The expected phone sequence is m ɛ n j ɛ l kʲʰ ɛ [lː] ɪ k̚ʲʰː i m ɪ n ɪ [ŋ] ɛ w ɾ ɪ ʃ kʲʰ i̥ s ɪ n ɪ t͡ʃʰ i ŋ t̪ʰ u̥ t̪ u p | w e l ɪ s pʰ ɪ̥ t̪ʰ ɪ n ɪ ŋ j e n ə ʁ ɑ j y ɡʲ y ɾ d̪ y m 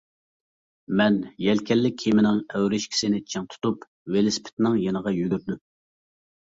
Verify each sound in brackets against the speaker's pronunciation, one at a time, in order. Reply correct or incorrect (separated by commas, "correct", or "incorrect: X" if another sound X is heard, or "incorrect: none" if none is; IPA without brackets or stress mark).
correct, correct